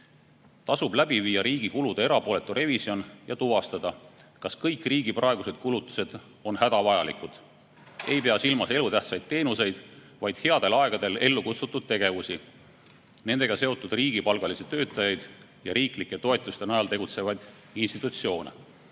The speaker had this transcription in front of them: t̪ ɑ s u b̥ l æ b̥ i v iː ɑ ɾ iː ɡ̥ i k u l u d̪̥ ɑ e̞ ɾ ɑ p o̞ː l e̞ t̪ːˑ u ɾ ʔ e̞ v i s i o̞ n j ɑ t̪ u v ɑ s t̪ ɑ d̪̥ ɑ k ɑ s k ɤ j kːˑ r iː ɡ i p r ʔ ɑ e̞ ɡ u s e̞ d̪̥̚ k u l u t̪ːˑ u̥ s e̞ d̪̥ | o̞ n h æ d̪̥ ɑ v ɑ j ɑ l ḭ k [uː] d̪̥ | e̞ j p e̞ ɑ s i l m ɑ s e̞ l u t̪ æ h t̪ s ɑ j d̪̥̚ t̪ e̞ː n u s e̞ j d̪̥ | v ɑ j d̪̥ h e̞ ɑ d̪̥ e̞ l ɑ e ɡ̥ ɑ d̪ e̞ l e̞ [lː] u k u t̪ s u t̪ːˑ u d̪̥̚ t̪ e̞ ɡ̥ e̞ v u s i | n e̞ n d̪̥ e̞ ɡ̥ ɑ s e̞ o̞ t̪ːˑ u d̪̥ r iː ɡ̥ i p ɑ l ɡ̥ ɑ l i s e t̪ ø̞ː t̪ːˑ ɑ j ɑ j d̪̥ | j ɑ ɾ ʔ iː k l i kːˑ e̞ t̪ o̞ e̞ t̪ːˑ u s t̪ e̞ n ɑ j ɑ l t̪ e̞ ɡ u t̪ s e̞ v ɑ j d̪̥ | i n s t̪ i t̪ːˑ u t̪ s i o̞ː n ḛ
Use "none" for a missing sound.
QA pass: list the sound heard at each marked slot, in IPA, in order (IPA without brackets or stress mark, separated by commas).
u, lː